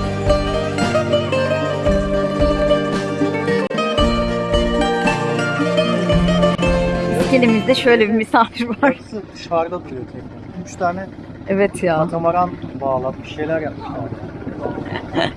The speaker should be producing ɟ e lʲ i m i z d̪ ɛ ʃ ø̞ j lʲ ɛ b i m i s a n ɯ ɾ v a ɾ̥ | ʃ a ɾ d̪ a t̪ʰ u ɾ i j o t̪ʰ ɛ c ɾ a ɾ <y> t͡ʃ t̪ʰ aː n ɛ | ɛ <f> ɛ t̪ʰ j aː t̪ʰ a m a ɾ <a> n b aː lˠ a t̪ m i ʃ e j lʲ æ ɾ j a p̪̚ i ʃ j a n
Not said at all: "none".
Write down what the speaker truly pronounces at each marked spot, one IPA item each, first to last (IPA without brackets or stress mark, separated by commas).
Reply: y, v, a